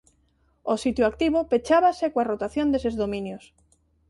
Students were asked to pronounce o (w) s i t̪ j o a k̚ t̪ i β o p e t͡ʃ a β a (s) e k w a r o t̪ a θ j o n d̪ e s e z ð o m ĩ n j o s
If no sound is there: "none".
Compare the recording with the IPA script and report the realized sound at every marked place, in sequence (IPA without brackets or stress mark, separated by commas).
none, s